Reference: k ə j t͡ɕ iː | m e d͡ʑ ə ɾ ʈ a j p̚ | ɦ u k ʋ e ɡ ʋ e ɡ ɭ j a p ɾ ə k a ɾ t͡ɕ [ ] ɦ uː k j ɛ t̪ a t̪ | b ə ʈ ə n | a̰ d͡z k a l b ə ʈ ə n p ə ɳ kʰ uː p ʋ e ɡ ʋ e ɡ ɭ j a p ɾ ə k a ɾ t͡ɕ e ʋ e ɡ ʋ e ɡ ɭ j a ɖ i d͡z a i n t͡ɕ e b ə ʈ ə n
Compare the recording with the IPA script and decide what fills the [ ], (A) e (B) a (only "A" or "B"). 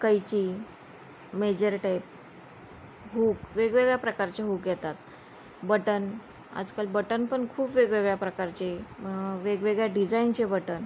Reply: A